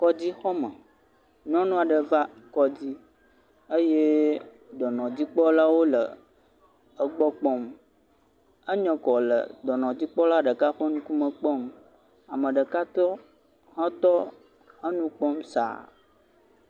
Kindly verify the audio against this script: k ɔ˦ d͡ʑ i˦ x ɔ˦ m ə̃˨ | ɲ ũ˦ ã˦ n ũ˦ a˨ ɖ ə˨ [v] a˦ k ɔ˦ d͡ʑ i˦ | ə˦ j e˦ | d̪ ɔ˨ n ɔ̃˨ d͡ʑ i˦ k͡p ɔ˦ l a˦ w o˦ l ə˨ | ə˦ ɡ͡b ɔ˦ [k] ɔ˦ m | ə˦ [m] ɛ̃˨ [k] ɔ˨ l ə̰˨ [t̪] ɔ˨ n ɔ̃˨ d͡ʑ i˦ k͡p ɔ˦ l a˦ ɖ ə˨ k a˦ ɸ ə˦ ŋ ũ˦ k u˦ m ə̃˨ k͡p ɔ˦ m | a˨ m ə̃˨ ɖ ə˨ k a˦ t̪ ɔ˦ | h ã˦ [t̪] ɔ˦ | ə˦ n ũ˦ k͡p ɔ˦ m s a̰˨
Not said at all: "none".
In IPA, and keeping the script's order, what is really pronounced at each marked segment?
v, k͡p, ɲ, k, d̪, t̪

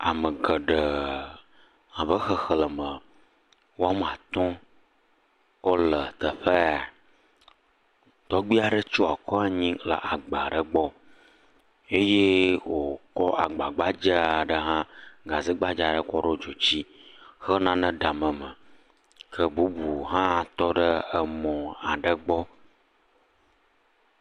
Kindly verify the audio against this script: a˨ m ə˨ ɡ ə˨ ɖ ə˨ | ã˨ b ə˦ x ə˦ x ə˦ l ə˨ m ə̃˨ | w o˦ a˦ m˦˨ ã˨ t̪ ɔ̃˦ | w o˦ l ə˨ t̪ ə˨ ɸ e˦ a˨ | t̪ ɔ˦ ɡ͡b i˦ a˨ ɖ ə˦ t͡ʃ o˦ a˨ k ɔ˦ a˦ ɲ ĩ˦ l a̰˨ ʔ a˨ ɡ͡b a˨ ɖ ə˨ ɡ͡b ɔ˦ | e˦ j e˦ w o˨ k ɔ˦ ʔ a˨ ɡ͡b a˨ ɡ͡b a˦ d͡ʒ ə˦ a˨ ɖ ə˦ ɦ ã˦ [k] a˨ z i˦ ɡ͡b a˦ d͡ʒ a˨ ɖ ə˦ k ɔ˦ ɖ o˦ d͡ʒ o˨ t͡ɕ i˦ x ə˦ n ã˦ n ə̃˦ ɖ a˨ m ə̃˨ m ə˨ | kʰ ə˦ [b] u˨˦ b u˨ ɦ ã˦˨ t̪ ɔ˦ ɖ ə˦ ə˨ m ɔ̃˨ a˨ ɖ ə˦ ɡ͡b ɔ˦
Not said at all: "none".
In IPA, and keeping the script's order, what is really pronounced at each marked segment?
ɡ, b

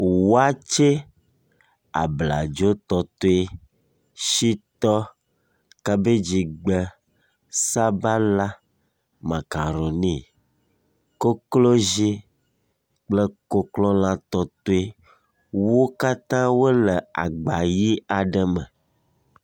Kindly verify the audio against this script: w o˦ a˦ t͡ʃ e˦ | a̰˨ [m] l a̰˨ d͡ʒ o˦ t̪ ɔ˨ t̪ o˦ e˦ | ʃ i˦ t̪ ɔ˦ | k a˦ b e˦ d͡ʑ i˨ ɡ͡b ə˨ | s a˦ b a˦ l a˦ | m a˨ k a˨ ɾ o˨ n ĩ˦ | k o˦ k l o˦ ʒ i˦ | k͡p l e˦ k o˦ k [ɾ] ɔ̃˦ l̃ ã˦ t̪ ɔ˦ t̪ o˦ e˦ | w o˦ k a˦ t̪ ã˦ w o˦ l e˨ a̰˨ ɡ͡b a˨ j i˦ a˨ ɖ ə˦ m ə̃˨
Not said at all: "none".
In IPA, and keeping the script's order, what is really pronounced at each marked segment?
b, l

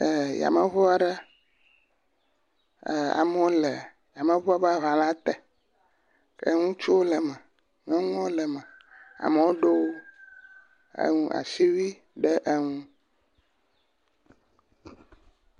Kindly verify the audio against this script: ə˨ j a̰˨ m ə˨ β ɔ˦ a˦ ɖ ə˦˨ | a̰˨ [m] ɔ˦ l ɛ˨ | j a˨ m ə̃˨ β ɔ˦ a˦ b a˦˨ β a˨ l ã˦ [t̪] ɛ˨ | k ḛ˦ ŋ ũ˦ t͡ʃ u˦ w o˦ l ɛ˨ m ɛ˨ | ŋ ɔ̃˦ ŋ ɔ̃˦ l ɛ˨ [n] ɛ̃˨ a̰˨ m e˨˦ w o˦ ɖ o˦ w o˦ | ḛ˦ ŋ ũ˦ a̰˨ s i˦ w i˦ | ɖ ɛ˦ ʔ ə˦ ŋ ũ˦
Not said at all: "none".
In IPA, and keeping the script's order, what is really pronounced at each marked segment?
m, t̪, m

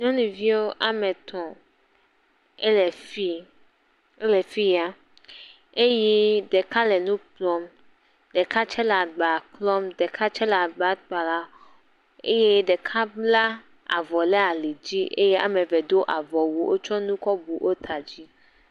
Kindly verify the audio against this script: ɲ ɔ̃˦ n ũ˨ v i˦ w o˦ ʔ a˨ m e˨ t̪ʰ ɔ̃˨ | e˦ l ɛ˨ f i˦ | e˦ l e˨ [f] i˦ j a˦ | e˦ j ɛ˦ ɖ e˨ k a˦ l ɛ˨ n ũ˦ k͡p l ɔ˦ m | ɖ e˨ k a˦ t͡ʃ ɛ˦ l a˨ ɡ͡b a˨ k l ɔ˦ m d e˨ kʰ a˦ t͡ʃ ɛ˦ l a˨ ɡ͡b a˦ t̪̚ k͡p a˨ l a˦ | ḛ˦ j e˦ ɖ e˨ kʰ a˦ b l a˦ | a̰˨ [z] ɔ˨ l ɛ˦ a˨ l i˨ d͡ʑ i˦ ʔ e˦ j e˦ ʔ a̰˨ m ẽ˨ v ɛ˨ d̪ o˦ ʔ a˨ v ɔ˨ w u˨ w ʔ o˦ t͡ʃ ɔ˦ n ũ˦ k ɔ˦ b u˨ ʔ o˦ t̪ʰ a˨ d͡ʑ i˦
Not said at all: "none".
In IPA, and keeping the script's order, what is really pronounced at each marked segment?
f, v

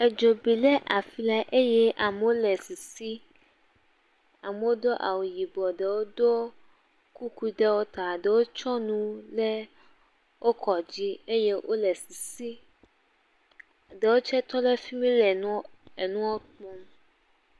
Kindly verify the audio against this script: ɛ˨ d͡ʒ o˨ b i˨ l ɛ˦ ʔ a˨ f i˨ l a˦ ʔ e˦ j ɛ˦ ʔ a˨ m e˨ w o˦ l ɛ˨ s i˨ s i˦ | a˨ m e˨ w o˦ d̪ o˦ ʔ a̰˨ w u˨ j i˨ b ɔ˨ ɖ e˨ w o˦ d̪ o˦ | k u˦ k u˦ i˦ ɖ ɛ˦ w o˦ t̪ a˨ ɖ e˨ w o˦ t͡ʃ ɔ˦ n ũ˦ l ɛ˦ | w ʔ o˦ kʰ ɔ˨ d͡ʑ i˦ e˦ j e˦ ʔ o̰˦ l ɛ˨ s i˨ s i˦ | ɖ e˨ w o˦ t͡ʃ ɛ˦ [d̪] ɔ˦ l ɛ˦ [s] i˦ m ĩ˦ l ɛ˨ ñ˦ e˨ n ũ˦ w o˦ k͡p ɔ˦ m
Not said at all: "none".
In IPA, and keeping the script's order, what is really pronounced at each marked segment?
t̪, f

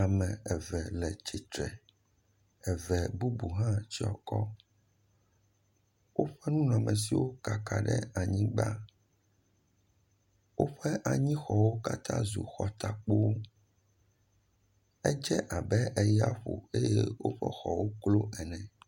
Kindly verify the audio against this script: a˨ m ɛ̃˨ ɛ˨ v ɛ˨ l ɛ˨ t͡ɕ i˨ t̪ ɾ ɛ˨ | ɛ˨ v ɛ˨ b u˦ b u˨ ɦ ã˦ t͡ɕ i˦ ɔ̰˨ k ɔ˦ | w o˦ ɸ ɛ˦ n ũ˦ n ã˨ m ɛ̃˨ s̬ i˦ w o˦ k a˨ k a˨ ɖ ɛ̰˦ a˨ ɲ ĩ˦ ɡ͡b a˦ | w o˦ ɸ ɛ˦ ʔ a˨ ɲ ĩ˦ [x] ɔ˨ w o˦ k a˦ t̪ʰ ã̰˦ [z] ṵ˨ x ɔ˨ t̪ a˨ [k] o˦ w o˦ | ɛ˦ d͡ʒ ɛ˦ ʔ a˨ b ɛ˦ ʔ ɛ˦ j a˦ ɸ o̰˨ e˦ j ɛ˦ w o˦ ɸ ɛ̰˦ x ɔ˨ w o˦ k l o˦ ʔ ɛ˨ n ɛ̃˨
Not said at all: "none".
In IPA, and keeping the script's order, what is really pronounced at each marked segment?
x, z, k͡p

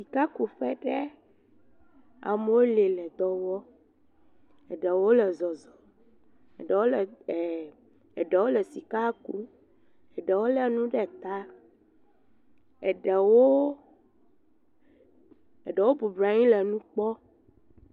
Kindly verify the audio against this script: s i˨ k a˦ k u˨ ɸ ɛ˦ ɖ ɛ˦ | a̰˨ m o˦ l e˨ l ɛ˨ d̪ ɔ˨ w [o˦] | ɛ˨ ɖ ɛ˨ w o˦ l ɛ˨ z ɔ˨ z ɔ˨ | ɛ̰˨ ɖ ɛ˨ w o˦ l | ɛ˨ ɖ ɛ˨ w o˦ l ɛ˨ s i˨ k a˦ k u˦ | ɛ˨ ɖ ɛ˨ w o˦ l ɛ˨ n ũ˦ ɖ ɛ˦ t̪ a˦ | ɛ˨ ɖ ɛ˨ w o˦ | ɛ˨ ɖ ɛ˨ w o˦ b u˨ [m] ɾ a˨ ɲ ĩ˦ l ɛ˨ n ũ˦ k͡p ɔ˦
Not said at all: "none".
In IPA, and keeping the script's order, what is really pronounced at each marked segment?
ɔ˦, b

